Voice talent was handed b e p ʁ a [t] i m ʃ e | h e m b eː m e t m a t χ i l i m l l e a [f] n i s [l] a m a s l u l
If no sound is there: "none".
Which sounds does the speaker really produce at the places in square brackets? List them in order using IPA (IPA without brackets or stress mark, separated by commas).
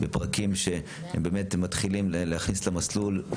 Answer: k, χ, l